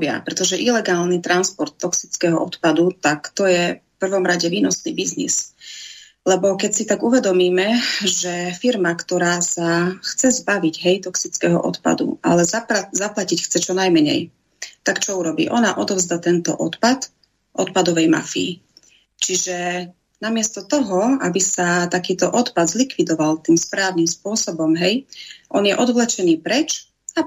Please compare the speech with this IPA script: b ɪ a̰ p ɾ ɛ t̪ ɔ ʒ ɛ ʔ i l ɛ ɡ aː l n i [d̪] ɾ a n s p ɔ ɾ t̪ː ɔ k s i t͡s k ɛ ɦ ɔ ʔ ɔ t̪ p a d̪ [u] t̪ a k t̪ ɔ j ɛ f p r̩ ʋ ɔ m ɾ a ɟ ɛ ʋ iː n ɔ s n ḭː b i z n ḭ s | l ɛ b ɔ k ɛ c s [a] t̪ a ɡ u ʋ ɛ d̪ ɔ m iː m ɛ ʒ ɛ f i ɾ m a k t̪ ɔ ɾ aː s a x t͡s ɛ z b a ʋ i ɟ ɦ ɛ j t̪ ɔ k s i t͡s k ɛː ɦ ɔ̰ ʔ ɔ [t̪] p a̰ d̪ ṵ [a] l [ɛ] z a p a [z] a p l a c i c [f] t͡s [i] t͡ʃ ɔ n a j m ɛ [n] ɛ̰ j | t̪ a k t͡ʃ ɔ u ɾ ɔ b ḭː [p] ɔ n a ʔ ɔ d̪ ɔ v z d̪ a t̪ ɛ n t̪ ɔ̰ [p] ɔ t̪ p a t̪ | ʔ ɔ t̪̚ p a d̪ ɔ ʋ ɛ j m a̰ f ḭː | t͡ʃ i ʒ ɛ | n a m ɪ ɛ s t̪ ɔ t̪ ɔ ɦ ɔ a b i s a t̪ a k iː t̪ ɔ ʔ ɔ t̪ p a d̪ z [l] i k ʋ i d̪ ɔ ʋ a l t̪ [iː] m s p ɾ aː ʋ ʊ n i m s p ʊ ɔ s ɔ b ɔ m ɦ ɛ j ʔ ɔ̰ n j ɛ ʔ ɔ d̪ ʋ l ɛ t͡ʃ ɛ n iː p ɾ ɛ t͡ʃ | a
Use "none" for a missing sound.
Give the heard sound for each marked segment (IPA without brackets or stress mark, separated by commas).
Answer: t̪, u, i, t̪, a, ɛ, z, x, ɛ, ɲ, ʔ, ʔ, l, iː